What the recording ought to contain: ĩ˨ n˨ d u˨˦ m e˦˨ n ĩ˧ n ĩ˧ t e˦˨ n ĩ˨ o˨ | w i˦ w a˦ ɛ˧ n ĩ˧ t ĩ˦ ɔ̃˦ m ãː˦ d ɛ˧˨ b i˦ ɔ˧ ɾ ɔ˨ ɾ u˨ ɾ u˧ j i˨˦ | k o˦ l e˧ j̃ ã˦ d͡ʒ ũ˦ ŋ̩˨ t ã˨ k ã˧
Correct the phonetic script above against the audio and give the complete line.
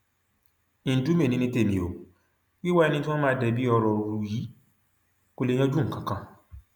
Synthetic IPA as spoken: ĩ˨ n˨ d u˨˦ m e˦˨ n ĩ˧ n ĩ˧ t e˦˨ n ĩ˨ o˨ | w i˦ w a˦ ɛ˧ n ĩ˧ t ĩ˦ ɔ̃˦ m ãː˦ d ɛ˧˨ b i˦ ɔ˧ ɾ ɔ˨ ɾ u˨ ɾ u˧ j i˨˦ | k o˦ l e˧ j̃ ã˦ d͡ʒ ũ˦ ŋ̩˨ k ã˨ k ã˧